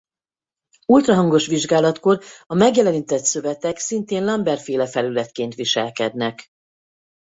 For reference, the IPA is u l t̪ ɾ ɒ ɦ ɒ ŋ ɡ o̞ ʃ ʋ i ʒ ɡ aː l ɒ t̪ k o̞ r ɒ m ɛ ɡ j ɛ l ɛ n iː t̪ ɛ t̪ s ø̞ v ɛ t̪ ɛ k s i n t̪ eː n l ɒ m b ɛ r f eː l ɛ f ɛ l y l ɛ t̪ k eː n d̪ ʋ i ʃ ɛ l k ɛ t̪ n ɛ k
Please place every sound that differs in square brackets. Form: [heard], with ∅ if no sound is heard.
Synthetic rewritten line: u l t̪ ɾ ɒ ɦ ɒ ŋ ɡ o̞ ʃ ʋ i ʒ ɡ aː l ɒ t̪ k o̞ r ɒ m ɛ ɡ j ɛ l ɛ n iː t̪ ɛ t̪ s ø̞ v ɛ t̪ ɛ k s i n t̪ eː n l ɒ m b ɛ r f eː l ɛ f ɛ l y l ɛ t̪ k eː n [t̪] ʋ i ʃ ɛ l k ɛ [d̪] n ɛ k

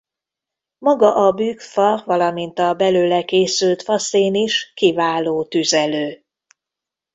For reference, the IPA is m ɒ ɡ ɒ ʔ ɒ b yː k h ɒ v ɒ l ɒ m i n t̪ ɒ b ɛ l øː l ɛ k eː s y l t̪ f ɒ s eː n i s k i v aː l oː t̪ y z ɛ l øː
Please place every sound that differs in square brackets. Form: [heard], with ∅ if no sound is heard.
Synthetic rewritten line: m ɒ ɡ ɒ ʔ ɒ b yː k [f] ɒ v ɒ l ɒ m i n t̪ ɒ b ɛ l øː l ɛ k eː s y l t̪ f ɒ s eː n i [ʃ] k i v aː l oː t̪ y z ɛ l øː

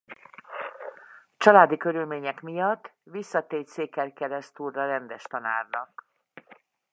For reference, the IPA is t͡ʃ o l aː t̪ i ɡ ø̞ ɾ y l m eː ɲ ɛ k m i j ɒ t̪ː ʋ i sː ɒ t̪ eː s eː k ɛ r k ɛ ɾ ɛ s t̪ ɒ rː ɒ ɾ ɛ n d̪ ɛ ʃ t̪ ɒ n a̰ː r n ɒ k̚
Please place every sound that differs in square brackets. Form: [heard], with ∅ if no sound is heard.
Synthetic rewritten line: t͡ʃ [ɒ] l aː [d̪] i [k] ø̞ ɾ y l m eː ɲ ɛ k m i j ɒ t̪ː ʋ i sː ɒ t̪ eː s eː k ɛ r k ɛ ɾ ɛ s t̪ [u] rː ɒ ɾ ɛ n d̪ ɛ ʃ t̪ ɒ n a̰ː r n ɒ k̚

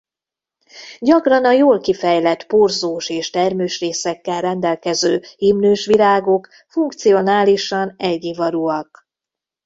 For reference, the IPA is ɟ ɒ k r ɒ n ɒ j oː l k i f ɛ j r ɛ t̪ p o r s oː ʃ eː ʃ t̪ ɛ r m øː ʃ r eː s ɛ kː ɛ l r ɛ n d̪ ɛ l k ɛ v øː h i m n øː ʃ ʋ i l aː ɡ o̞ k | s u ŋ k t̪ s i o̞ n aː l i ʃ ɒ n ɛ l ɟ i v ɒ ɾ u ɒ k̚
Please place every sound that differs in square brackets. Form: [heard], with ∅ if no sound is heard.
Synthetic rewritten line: ɟ ɒ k r ɒ n ɒ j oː l k i f ɛ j [l] ɛ t̪ p o r [z] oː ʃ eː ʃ t̪ ɛ r m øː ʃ r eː s ɛ kː ɛ l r ɛ n d̪ ɛ l k ɛ [z] øː h i m n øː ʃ ʋ i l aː ɡ o̞ k | [f] u ŋ k t̪ s i o̞ n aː l i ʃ ɒ n ɛ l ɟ i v ɒ ɾ u ɒ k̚

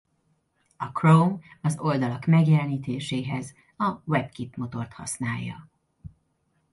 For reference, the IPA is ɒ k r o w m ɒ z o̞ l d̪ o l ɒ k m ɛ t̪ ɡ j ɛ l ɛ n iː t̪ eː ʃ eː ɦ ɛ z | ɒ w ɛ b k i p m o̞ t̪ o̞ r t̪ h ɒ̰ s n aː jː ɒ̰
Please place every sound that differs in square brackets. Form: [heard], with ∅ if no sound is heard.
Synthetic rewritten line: ɒ k r o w m ɒ z o̞ l d̪ [ɒ] l ɒ k m ɛ [∅] ɡ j ɛ l ɛ n iː t̪ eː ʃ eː ɦ ɛ z | ɒ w ɛ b k i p m o̞ t̪ o̞ r t̪ h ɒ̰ s n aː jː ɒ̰

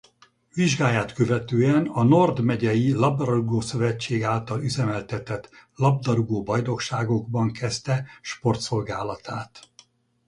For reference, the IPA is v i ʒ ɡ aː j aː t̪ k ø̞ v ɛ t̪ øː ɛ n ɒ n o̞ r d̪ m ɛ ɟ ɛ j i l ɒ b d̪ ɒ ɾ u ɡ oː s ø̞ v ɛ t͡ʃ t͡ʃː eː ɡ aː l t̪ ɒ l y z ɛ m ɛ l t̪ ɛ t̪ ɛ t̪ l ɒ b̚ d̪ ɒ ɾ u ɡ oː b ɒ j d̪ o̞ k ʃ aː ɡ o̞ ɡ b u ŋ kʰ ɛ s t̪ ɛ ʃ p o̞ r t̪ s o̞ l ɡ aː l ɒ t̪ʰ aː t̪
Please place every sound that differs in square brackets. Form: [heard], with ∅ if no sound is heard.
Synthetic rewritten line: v i ʒ ɡ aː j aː t̪ k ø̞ v ɛ t̪ øː ɛ n ɒ n o̞ r d̪ m ɛ ɟ ɛ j i l ɒ b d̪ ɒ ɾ u ɡ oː s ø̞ v ɛ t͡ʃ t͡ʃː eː ɡ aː l t̪ ɒ l y z ɛ m ɛ l t̪ ɛ t̪ ɛ t̪ l ɒ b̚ d̪ ɒ ɾ u ɡ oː b ɒ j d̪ o̞ k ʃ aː ɡ o̞ ɡ b [ɒ] ŋ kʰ ɛ s t̪ ɛ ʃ p o̞ r t̪ s o̞ l ɡ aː l ɒ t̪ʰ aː t̪

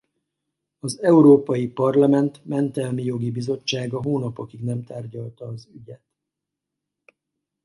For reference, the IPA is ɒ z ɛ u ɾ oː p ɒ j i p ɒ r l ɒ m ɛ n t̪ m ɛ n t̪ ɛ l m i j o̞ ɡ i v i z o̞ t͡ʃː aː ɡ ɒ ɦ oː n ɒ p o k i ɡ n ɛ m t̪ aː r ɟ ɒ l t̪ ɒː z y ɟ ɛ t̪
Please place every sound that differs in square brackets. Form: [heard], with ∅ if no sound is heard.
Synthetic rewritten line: ɒ z ɛ u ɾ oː p ɒ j i p ɒ r l ɒ m ɛ n t̪ m ɛ n t̪ ɛ l m i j o̞ ɡ i [b] i z o̞ t͡ʃː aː ɡ ɒ ɦ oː n ɒ p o k i ɡ n ɛ m t̪ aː r ɟ ɒ l t̪ ɒː z y ɟ ɛ t̪

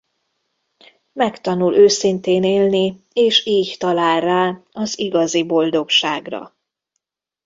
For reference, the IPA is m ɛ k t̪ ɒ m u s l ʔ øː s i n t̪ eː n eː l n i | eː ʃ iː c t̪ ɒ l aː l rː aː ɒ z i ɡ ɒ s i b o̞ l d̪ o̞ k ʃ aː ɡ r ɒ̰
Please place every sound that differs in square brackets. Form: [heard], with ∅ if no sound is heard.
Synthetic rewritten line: m ɛ k t̪ ɒ [n] u [∅] l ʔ øː s i n t̪ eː n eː l n i | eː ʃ iː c t̪ ɒ l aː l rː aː ɒ z i ɡ ɒ [z] i b o̞ l d̪ o̞ k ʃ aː ɡ r ɒ̰

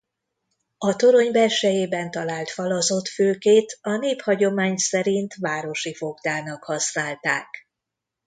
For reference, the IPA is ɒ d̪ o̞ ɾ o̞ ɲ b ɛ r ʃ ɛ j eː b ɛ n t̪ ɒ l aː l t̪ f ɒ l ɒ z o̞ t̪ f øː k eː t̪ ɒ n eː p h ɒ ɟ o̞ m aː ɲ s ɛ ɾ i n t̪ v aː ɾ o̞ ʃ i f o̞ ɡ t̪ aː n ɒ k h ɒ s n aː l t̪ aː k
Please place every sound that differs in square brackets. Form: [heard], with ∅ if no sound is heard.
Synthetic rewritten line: ɒ [t̪] o̞ ɾ o̞ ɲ b ɛ r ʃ ɛ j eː b ɛ n t̪ ɒ l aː l t̪ f ɒ l ɒ z o̞ t̪ f øː k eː t̪ ɒ n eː p h ɒ ɟ o̞ m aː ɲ s ɛ ɾ i n t̪ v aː ɾ o̞ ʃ i f o̞ ɡ [d̪] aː n ɒ k h ɒ s n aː l t̪ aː k

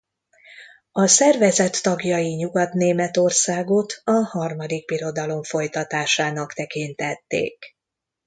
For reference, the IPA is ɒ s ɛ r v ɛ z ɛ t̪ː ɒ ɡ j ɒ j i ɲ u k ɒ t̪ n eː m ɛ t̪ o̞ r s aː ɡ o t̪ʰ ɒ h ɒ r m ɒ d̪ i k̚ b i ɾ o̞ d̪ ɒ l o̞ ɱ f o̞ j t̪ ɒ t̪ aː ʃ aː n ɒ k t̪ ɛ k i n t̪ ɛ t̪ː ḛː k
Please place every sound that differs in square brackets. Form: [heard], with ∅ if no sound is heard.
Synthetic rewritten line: ɒ s ɛ r v ɛ z ɛ t̪ː ɒ ɡ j ɒ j i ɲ u [ɡ] ɒ t̪ n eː m ɛ t̪ o̞ r s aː ɡ o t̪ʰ ɒ h ɒ r m ɒ d̪ i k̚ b i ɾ o̞ d̪ ɒ l o̞ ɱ f o̞ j t̪ ɒ t̪ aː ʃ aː n ɒ k t̪ ɛ k i n t̪ ɛ t̪ː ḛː k

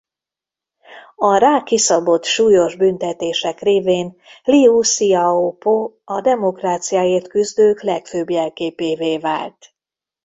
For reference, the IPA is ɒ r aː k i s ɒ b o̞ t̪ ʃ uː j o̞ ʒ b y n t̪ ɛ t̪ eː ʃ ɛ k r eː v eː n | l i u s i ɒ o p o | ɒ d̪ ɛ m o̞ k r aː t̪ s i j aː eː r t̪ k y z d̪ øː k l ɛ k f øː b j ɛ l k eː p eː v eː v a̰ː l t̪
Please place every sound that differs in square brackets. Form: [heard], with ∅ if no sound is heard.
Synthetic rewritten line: ɒ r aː k i s ɒ b o̞ t̪ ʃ uː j o̞ ʒ b y n t̪ ɛ t̪ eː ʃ ɛ k r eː v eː n | l i u s i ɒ o p o | ɒ d̪ ɛ m o̞ k r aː t̪ s i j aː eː r t̪ k y z d̪ øː k l ɛ k f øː b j ɛ l k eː p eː v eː v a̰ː l t̪

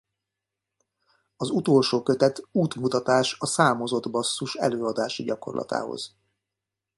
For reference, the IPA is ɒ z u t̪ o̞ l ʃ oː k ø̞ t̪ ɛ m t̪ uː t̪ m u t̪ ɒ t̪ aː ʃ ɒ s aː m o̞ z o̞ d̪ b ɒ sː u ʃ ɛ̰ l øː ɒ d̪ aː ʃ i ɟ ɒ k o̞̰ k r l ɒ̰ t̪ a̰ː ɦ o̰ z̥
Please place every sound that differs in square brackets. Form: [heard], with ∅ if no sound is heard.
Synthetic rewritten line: ɒ z u t̪ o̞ l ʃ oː k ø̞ t̪ ɛ [∅] t̪ uː t̪ m u t̪ ɒ t̪ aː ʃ ɒ s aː m o̞ z o̞ d̪ b ɒ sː u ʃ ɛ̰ l øː ɒ d̪ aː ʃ i ɟ ɒ k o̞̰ [∅] r l ɒ̰ t̪ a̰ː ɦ o̰ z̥

